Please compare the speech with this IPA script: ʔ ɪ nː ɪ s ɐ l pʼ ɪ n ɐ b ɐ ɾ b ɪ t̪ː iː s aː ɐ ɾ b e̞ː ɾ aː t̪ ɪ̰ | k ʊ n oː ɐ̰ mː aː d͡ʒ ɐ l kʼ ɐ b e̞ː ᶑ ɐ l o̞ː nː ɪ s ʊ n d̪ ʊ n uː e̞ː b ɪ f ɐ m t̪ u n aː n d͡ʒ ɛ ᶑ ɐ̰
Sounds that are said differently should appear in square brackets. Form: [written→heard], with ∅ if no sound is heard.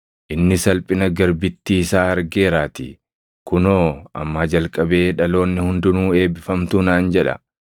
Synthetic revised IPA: ʔ ɪ nː ɪ s ɐ l pʼ ɪ n ɐ [b→ɡ] ɐ ɾ b ɪ t̪ː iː s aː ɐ ɾ [b→ɡ] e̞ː ɾ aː t̪ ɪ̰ | k ʊ n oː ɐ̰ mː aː d͡ʒ ɐ l kʼ ɐ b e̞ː ᶑ ɐ l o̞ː nː ɪ [s→h] ʊ n d̪ ʊ n uː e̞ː b ɪ f ɐ m t̪ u n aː n d͡ʒ ɛ ᶑ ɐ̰